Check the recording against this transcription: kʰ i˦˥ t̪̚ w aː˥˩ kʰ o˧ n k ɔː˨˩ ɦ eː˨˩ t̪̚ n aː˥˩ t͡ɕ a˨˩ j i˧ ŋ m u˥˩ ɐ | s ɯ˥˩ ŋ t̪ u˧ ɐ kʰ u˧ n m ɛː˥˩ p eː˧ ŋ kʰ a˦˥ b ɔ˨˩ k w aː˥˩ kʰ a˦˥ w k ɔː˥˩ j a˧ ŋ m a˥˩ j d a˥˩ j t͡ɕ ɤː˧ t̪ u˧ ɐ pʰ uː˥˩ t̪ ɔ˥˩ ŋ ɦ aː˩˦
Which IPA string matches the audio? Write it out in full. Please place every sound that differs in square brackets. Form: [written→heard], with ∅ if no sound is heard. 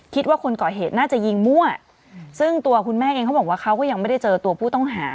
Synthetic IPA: kʰ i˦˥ t̪̚ w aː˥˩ kʰ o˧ n k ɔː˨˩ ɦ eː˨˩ t̪̚ n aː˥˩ t͡ɕ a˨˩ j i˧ ŋ m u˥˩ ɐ | s ɯ˥˩ ŋ t̪ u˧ ɐ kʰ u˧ n m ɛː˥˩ [p→ʔ] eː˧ ŋ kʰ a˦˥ b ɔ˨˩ k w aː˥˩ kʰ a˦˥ w k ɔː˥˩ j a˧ ŋ m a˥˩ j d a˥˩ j t͡ɕ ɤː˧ t̪ u˧ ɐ pʰ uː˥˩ t̪ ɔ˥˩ ŋ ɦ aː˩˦